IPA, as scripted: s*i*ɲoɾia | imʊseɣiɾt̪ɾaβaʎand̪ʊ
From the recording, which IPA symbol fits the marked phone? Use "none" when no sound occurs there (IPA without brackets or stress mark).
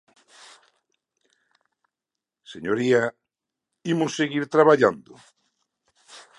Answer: e